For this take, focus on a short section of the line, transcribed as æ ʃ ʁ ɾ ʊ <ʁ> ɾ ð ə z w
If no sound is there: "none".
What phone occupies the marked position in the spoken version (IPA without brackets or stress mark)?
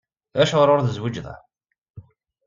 none